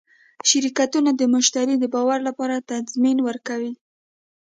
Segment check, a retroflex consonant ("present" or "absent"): absent